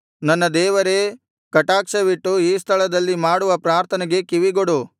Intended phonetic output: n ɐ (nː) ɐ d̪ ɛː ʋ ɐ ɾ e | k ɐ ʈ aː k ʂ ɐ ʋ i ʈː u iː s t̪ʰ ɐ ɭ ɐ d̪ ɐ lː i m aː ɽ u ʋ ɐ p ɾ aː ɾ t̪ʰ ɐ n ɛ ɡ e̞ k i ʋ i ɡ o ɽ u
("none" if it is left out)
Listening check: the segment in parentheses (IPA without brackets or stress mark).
nː